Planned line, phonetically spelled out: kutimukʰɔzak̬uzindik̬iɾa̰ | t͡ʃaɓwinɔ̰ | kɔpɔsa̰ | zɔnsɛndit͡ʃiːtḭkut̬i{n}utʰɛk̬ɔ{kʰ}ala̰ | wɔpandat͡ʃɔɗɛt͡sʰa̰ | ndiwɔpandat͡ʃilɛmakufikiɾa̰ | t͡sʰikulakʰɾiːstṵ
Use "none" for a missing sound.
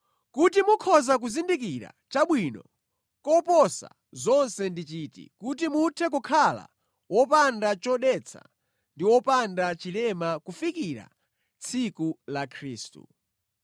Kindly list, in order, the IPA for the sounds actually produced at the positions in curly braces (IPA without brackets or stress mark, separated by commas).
m, kʰ